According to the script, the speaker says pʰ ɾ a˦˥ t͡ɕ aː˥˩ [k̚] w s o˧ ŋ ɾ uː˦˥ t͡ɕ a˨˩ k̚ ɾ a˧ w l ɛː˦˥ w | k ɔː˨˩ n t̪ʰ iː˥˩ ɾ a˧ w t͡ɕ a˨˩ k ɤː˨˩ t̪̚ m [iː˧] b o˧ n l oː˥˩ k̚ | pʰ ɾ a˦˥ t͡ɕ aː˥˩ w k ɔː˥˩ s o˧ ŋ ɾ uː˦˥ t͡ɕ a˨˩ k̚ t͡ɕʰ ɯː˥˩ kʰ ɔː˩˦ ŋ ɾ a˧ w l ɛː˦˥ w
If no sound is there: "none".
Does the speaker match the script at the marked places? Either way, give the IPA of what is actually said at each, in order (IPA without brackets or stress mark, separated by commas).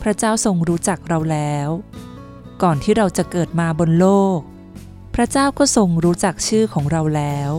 none, aː˧